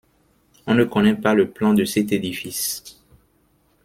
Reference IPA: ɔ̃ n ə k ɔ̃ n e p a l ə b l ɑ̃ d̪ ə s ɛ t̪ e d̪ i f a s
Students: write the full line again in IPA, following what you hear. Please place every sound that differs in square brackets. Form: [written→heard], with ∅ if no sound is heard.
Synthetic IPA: ɔ̃ n ə k [ɔ̃→ɔ] n [e→ɛ] p a l ə [b→p] l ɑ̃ d̪ ə s ɛ t̪ e d̪ i f [a→i] s

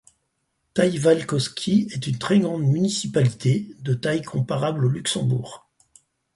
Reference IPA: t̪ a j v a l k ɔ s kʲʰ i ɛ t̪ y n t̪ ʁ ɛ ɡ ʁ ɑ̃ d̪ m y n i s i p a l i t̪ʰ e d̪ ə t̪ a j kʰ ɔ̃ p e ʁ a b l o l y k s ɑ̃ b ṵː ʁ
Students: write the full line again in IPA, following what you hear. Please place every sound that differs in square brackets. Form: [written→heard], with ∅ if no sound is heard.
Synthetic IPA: t̪ a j v a l k ɔ s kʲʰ i ɛ t̪ y n t̪ [ʁ→χ] ɛ ɡ ʁ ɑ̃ d̪ m y n i s i p a l i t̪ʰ e d̪ ə t̪ a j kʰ ɔ̃ p [e→a] ʁ a b l o l y k s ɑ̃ b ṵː ʁ

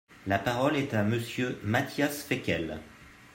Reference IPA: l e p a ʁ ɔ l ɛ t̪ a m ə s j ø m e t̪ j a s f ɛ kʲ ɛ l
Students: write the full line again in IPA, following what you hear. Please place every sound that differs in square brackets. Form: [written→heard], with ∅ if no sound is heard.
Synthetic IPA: l [e→a] p a ʁ ɔ l ɛ t̪ a m ə s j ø m [e→a] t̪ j a s f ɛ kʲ ɛ l

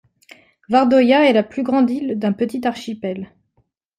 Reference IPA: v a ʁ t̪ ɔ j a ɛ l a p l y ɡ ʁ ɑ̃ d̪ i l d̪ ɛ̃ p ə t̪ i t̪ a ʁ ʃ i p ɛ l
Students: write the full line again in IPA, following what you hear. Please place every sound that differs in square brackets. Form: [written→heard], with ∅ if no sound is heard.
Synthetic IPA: v a ʁ [t̪→d̪] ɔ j a ɛ l a p l y ɡ ʁ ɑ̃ d̪ i l d̪ ɛ̃ p ə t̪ i t̪ a ʁ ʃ i p ɛ l

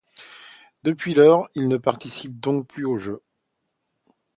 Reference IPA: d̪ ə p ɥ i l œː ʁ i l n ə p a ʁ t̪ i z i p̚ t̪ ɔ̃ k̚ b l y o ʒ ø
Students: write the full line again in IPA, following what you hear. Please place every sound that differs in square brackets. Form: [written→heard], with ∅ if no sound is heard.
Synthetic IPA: d̪ ə p ɥ i l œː ʁ i l n ə p a ʁ t̪ i [z→s] i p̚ [t̪→d̪] ɔ̃ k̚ [b→p] l y o ʒ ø

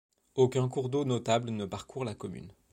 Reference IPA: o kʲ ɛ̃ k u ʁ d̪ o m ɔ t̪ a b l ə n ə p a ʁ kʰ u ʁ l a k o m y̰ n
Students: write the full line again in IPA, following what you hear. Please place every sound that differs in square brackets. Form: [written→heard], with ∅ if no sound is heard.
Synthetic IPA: o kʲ ɛ̃ k u ʁ d̪ o [m→n] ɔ t̪ a b l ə n ə p a ʁ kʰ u ʁ l a k [o→ɔ] m y̰ n

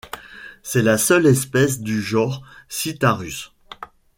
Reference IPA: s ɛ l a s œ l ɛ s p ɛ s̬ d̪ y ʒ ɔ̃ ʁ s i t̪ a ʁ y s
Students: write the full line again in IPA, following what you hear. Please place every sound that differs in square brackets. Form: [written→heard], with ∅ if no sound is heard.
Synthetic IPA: s ɛ l a s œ l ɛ s p ɛ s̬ d̪ y ʒ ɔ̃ ʁ s i t̪ a ʁ y s

